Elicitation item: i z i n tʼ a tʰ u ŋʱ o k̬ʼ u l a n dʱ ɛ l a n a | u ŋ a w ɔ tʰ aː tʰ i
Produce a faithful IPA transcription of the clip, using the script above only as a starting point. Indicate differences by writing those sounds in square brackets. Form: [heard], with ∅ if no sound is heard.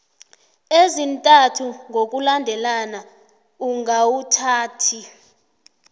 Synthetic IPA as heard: [e] z i n tʼ a tʰ u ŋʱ o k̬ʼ u l a n dʱ ɛ l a n a | u ŋ a w [u] tʰ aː tʰ i